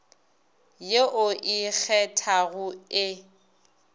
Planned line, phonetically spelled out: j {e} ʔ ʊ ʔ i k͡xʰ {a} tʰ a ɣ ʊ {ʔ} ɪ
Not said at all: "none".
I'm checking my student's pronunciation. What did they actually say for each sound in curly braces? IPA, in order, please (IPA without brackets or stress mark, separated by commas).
e, ɛ, none